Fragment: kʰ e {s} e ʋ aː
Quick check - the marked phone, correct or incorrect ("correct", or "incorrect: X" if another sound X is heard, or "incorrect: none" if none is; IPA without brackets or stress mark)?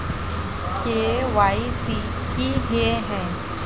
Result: incorrect: none